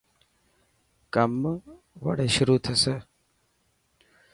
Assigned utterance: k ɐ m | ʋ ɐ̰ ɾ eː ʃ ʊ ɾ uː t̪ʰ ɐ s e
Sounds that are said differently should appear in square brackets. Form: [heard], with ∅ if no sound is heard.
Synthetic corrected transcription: k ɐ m | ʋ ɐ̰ [ɽ] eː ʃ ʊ ɾ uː t̪ʰ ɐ s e